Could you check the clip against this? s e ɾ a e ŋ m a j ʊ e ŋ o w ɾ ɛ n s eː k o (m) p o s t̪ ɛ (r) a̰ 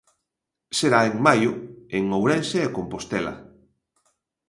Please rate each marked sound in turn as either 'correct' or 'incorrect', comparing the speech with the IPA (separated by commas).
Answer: correct, incorrect